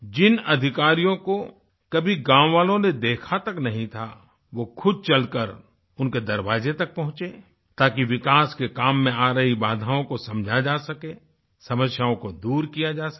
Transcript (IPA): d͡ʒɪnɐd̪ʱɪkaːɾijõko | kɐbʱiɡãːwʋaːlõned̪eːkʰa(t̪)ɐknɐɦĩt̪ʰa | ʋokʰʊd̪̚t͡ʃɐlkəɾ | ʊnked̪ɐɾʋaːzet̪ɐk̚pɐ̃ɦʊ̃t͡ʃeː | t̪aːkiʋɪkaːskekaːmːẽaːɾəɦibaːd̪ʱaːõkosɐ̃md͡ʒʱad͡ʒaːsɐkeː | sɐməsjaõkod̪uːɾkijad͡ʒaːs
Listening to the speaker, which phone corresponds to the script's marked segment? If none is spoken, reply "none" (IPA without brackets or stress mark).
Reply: t̪